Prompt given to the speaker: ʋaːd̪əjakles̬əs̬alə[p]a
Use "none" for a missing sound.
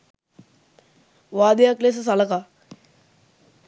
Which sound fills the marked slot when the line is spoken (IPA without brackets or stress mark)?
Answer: k